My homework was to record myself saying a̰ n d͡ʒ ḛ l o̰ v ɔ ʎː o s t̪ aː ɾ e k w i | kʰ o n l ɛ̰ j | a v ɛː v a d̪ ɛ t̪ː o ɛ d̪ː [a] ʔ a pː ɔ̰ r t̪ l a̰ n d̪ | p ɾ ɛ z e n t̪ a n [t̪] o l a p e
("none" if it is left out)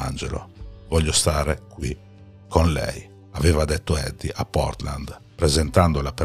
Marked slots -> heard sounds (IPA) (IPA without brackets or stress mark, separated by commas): i, d̪